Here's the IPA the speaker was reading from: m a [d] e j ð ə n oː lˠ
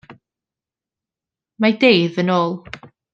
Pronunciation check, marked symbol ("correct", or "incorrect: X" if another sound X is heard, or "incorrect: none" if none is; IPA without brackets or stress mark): correct